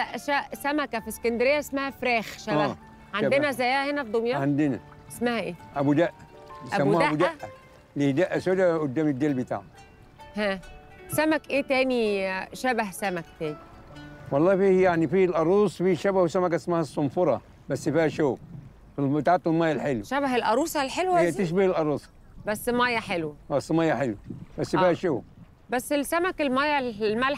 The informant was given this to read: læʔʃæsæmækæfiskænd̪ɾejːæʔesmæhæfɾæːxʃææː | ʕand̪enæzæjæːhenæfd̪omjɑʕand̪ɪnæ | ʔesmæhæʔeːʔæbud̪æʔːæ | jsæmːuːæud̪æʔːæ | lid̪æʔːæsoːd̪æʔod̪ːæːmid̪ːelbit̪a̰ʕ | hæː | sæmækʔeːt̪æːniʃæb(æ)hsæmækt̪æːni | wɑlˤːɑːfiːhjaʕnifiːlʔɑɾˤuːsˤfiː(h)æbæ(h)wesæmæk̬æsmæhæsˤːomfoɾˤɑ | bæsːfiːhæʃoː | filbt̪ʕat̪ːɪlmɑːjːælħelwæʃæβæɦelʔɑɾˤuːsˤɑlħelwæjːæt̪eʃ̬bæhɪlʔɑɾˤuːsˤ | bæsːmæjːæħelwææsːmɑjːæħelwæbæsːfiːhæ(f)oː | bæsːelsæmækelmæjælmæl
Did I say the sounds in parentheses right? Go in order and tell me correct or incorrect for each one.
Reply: correct, incorrect, correct, incorrect

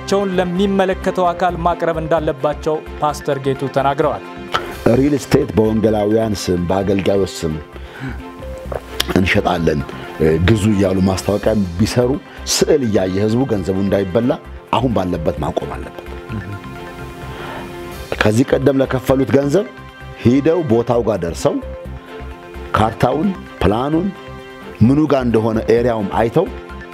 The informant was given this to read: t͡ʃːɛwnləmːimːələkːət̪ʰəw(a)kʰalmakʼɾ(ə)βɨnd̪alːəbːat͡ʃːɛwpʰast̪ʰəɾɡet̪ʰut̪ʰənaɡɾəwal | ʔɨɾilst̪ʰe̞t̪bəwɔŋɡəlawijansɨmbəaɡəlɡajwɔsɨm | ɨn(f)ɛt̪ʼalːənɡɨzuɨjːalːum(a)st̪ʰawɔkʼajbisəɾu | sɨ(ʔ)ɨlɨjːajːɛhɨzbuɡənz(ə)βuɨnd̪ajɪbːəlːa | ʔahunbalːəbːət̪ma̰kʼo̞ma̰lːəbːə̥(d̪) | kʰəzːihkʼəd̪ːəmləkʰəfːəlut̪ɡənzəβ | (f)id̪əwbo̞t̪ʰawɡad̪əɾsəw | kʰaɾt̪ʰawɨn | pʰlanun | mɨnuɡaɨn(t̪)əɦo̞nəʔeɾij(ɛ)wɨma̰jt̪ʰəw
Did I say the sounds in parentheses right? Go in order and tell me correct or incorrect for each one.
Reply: correct, correct, incorrect, correct, correct, correct, incorrect, incorrect, incorrect, incorrect

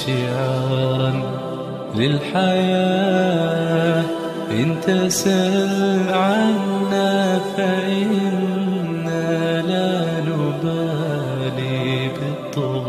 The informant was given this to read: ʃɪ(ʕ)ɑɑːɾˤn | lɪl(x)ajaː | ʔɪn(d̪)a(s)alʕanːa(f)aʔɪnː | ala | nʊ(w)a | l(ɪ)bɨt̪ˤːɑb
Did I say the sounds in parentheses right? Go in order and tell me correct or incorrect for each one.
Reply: correct, incorrect, incorrect, correct, correct, incorrect, incorrect

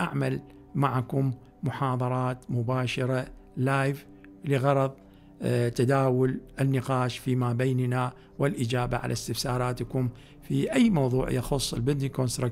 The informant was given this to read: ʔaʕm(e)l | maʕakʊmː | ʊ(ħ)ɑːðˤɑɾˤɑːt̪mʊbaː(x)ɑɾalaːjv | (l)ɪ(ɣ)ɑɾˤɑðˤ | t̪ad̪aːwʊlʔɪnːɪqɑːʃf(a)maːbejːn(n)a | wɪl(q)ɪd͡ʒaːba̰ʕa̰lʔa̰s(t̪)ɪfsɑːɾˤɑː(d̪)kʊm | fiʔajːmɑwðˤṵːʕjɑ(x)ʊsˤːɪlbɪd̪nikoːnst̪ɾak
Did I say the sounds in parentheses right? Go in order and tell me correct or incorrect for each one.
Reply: incorrect, correct, incorrect, correct, correct, incorrect, correct, incorrect, correct, incorrect, correct

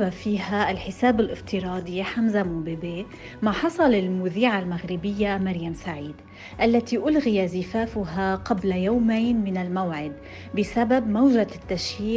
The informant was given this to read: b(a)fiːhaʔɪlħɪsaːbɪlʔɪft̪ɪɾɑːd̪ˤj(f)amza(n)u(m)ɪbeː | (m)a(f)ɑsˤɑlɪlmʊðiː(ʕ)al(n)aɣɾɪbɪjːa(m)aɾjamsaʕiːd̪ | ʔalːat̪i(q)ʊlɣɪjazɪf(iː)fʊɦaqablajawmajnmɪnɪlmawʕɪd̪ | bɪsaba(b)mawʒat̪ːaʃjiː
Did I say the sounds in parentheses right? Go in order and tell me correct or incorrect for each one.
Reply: correct, incorrect, incorrect, incorrect, correct, incorrect, correct, incorrect, correct, incorrect, incorrect, correct

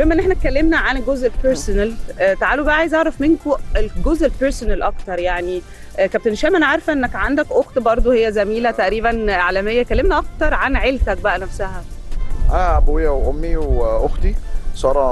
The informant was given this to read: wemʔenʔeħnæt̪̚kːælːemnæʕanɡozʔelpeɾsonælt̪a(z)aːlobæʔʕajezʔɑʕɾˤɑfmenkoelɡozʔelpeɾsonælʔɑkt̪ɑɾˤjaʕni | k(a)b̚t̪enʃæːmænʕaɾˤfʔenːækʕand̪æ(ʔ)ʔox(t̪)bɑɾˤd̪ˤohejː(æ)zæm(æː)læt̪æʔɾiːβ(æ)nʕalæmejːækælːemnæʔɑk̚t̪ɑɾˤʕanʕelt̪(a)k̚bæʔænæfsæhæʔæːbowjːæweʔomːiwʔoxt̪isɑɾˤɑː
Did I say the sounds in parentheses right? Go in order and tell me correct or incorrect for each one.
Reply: incorrect, incorrect, incorrect, correct, correct, incorrect, correct, incorrect

